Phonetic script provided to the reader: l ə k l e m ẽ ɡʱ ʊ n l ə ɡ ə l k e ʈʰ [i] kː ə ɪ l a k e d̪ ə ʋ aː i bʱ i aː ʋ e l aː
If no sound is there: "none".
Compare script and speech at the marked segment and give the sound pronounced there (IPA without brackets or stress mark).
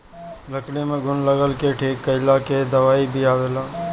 iː